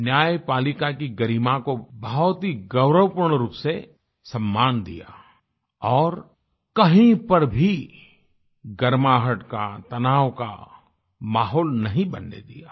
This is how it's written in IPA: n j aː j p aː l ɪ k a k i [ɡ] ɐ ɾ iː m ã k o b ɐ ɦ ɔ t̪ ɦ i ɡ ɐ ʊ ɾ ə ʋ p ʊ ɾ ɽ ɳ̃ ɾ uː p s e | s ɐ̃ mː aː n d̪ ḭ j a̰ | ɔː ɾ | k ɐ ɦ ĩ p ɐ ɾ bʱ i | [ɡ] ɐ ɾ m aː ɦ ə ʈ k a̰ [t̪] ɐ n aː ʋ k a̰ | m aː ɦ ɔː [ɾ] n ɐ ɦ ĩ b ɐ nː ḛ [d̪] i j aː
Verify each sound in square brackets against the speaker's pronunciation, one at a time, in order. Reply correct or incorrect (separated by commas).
correct, correct, correct, incorrect, correct